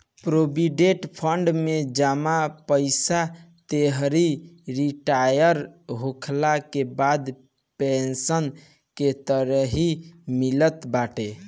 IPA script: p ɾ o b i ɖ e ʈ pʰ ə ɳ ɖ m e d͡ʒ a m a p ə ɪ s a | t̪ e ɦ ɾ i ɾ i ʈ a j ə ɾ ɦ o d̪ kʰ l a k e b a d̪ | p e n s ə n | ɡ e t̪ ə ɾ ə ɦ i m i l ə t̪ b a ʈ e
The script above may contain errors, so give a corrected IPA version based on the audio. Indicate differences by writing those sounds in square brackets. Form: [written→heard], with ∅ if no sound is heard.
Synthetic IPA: p ɾ o b i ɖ e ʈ pʰ ə ɳ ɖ m e d͡ʒ a m a p ə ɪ s a | t̪ e ɦ ɾ i ɾ i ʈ a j ə ɾ ɦ o [d̪→∅] kʰ l a k e b a d̪ | p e n s ə n | [ɡ→k] e t̪ ə ɾ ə ɦ i m i l ə t̪ b a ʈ e